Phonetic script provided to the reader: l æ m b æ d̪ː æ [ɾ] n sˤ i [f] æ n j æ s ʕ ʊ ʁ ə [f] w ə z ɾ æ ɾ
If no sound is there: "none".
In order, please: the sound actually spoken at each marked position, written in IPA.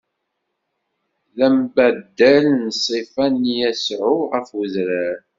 l, f, f

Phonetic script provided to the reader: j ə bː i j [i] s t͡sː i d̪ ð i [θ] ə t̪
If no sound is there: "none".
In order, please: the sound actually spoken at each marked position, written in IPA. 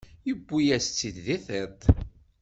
æ, θ

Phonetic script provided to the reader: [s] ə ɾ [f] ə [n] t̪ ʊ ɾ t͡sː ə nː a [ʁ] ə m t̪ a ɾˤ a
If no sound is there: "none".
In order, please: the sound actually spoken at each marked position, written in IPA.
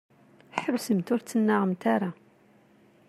ħ, s, m, ʁ

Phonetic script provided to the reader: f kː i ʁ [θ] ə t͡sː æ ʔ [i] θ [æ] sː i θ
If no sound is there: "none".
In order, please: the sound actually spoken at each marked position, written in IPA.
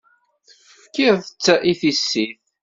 θ, i, i

